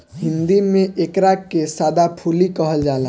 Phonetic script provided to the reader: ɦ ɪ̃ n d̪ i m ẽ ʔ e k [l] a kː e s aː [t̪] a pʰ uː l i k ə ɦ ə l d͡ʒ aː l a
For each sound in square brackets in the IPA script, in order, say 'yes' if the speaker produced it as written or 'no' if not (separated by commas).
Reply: no, no